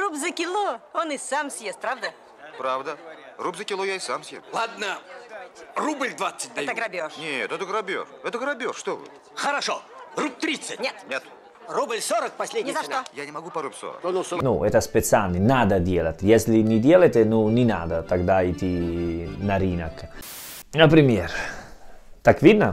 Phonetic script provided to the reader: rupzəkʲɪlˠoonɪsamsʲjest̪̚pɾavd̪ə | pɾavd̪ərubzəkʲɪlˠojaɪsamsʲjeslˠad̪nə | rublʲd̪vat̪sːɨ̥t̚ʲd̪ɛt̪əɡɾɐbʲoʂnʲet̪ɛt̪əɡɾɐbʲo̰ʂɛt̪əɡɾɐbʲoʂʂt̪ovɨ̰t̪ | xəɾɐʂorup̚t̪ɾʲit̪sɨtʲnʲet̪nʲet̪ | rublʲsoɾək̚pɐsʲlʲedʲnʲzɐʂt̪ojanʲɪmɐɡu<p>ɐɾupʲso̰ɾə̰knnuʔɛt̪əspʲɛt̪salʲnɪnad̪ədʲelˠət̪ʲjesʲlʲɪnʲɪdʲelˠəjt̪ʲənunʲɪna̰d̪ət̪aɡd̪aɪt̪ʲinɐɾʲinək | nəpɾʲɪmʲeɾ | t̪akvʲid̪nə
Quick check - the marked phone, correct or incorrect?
correct